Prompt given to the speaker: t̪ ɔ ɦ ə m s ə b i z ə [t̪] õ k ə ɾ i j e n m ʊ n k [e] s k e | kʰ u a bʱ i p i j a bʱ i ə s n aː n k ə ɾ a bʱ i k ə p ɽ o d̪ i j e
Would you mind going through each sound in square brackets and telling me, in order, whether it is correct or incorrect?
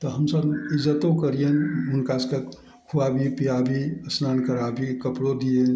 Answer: correct, incorrect: a

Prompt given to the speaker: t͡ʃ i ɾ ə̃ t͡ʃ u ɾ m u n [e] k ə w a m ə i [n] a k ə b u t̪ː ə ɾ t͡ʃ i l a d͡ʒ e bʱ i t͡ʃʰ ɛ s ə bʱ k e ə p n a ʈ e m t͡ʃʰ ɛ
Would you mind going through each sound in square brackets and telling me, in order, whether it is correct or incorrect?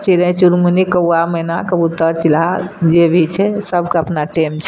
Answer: incorrect: i, correct

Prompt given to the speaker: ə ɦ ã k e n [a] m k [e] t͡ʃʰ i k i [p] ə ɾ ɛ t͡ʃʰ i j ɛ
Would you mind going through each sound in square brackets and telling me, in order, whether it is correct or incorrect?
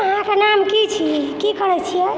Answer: correct, incorrect: i, incorrect: k

